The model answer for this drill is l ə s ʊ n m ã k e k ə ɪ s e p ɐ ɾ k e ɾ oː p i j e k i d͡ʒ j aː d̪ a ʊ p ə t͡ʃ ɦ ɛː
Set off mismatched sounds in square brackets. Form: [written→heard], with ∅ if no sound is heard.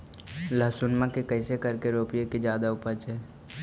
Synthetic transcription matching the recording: l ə s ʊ n m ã k e k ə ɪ s e [p→k] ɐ ɾ k e ɾ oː p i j e k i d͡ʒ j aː d̪ a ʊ p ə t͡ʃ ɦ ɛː